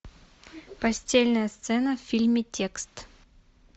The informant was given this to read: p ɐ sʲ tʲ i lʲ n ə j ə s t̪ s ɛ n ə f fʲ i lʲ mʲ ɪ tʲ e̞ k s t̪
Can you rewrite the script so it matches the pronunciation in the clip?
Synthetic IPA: p ɐ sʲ tʲ e lʲ n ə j ə s t̪ s ɛ n ə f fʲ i lʲ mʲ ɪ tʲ e̞ k s t̪